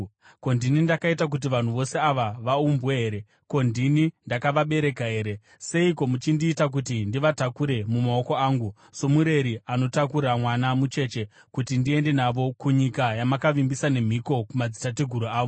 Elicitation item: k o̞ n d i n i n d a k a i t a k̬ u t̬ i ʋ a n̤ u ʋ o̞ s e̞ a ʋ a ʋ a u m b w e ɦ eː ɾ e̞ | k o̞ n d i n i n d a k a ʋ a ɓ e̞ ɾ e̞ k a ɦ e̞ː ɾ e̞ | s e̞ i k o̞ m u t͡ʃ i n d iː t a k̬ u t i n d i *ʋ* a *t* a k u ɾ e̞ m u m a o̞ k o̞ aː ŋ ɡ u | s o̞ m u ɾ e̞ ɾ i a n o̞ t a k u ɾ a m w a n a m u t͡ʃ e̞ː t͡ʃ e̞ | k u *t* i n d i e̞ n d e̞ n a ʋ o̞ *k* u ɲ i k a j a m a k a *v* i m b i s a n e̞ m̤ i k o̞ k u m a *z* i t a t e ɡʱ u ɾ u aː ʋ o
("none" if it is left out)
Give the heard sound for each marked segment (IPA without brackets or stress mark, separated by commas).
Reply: ʋ, t, t, k, ʋ, d͡z